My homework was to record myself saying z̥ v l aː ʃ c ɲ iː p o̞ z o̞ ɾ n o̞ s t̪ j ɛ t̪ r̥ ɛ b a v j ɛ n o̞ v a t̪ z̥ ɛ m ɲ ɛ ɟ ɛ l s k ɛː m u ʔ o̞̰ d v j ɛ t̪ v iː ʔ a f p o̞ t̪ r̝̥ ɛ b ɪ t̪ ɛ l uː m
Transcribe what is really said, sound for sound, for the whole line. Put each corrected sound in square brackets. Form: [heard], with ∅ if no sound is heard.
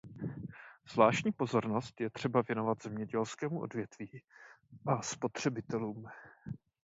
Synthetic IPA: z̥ v l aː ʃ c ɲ iː p o̞ z o̞ ɾ n o̞ s t̪ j ɛ t̪ r̥ ɛ b a v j ɛ n o̞ v a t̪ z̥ ɛ m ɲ ɛ ɟ ɛ l s k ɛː m u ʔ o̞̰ d v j ɛ t̪ v iː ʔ a [s] p o̞ t̪ r̝̥ ɛ b ɪ t̪ ɛ l uː m